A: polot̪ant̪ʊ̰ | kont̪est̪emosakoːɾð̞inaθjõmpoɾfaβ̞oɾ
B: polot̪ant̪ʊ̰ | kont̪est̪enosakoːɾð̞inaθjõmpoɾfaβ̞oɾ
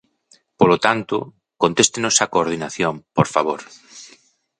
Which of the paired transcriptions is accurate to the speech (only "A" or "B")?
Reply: B